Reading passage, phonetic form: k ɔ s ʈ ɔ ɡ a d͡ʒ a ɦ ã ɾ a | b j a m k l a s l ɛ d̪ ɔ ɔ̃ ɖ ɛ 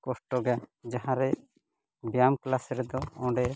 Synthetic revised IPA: k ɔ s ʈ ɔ ɡ a d͡ʒ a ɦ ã ɾ ɛ | b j a m k l a s ɾ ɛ d̪ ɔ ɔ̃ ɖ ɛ